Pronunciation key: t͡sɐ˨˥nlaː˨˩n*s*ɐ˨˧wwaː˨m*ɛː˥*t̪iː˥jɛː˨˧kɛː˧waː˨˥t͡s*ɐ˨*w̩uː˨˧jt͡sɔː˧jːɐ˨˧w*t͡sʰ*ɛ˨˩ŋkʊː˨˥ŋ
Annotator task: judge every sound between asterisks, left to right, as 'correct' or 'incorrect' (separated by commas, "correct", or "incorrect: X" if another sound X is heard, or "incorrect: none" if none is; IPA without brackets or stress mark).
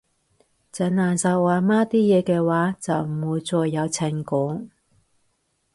correct, incorrect: aː˥, correct, correct